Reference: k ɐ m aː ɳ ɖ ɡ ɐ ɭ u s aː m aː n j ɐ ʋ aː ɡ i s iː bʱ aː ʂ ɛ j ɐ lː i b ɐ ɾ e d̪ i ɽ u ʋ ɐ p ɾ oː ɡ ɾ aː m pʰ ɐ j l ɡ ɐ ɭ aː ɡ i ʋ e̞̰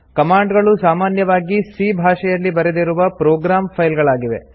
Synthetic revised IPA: k ɐ m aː ɳ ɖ ɡ ɐ ɭ u s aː m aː n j ɐ ʋ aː ɡ i s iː bʱ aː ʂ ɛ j ɐ lː i b ɐ ɾ e d̪ i ɾ u ʋ ɐ p ɾ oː ɡ ɾ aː m pʰ ɐ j l ɡ ɐ ɭ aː ɡ i ʋ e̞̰